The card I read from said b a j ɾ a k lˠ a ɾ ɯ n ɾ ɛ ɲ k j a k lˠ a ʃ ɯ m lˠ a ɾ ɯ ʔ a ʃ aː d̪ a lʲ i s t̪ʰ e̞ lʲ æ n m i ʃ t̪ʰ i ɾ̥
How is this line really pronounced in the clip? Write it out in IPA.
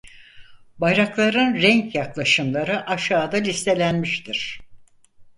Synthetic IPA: b a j ɾ a k lˠ a ɾ ɯ n ɾ ɛ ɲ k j a k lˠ a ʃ ɯ m lˠ a ɾ ɯ ʔ a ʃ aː d̪ a lʲ i s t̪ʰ e̞ lʲ æ n m i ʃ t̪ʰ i ɾ̥